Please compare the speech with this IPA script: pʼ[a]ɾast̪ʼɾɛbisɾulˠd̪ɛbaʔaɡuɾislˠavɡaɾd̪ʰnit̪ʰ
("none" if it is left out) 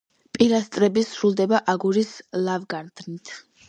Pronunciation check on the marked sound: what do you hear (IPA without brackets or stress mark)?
i